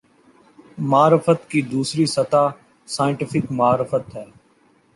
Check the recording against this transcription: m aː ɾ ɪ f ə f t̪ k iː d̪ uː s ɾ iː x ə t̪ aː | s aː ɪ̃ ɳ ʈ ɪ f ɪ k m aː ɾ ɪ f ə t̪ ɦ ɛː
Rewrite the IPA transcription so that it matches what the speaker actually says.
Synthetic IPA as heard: m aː ɾ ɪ f ə t̪ k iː d̪ uː s ɾ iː s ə t̪ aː | s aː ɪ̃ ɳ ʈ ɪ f ɪ k m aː ɾ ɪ f ə t̪ ɦ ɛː